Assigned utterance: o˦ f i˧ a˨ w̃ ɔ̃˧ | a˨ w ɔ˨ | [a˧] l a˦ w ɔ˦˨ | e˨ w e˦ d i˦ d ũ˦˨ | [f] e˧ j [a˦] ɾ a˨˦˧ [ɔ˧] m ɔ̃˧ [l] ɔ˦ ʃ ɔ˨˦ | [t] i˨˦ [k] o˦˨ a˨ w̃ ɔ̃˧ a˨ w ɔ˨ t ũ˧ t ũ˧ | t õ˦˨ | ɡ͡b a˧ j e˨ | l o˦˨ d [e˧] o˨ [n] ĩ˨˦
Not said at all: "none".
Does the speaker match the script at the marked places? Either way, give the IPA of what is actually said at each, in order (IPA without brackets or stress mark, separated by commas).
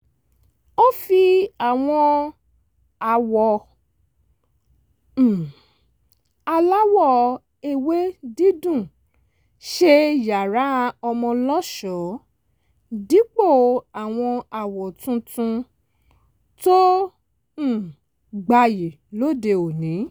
a˧, ʃ, a˨, ɔ˧, l, d, k͡p, e˧, n